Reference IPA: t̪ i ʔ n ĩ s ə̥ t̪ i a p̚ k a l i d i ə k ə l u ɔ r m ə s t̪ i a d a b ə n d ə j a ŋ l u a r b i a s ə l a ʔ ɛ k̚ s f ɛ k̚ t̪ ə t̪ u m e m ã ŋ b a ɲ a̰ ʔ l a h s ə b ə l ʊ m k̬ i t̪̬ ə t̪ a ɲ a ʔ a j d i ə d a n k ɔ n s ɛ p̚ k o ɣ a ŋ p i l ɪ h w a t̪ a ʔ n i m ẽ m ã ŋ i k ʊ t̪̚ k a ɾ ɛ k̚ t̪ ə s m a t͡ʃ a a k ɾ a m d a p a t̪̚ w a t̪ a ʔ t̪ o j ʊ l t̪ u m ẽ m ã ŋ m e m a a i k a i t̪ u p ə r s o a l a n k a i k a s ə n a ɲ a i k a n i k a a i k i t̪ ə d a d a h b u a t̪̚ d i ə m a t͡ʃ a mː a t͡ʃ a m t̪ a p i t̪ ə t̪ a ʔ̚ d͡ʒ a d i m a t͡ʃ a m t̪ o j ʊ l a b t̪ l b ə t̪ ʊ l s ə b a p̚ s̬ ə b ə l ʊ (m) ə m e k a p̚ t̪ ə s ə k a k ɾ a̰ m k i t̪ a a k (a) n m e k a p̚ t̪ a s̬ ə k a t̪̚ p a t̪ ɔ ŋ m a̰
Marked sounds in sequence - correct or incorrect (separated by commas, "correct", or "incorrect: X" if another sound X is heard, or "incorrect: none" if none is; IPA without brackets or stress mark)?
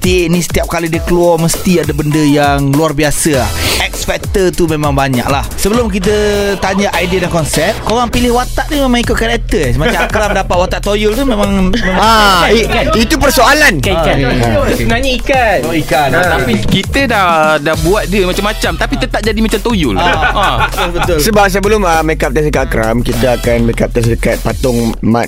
correct, correct